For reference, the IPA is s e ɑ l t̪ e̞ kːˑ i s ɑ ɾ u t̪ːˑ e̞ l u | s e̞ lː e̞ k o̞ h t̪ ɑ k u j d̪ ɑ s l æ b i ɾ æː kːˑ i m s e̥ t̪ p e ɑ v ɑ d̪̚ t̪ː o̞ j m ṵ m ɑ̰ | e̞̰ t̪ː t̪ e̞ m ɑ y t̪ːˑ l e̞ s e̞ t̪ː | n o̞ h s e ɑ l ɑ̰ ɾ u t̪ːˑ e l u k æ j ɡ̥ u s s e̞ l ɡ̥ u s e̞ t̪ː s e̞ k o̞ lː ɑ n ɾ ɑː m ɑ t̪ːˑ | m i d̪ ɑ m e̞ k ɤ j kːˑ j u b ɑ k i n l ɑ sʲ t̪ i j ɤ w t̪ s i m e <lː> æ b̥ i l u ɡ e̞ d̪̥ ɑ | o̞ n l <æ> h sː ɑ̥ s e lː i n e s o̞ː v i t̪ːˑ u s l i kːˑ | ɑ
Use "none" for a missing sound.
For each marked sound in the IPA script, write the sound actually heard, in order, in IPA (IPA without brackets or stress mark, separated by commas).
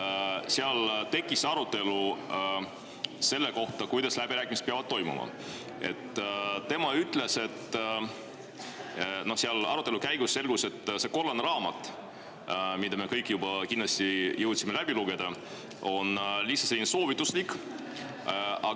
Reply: l, i